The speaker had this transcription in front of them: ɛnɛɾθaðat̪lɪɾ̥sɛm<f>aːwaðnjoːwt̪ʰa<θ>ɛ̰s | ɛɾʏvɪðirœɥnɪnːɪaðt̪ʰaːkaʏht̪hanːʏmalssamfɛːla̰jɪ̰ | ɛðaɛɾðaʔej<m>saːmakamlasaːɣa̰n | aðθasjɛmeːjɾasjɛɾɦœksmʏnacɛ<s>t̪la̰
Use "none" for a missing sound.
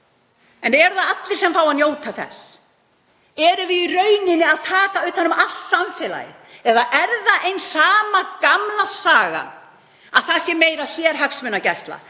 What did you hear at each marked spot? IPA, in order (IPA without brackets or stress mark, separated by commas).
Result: f, θ, n, s